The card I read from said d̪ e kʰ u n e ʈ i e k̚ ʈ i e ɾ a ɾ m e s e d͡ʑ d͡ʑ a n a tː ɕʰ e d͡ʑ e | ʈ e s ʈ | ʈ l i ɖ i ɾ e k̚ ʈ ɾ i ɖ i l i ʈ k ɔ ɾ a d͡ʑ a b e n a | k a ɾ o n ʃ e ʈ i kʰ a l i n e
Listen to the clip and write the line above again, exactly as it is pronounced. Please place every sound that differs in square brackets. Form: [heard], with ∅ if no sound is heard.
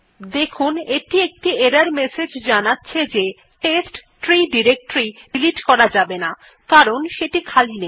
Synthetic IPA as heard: d̪ e kʰ u n e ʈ i e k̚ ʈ i e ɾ a ɾ m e s e d͡ʑ d͡ʑ a n a tː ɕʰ e d͡ʑ e | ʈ e s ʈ | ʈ [ɾ] i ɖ i ɾ e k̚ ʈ ɾ i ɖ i l i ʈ k ɔ ɾ a d͡ʑ a b e n a | k a ɾ o n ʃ e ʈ i kʰ a l i n e